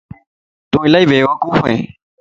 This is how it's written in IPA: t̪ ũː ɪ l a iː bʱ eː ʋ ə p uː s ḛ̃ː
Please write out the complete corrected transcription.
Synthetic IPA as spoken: t̪ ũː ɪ l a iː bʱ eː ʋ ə k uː f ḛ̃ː